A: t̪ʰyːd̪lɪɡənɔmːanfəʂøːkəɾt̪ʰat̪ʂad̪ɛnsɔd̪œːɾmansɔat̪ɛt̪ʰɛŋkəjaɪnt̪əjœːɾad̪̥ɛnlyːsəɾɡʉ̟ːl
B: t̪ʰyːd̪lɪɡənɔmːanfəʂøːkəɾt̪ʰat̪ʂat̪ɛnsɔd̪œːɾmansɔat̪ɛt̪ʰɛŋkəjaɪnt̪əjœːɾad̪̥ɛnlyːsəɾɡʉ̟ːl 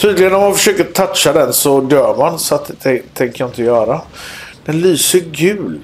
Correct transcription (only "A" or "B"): A